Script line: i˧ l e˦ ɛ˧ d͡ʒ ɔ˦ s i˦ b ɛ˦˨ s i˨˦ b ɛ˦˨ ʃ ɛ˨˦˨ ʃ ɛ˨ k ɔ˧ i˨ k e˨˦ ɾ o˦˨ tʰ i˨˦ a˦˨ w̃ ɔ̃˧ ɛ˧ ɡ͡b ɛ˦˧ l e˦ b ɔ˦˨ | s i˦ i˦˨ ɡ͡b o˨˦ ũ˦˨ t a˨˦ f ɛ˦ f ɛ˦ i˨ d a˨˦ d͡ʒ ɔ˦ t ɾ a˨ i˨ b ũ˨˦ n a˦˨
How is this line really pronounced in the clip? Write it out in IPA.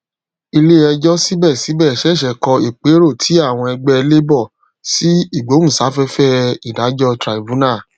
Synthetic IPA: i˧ l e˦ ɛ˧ d͡ʒ ɔ˦ s i˦ b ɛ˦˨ s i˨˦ b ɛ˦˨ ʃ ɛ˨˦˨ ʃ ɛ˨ k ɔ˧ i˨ k͡p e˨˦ ɾ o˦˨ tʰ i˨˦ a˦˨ w̃ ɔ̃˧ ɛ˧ ɡ͡b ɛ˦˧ l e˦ b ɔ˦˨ | s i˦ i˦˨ ɡ͡b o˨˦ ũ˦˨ s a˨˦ f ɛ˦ f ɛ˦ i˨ d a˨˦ d͡ʒ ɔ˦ t ɾ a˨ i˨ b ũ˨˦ n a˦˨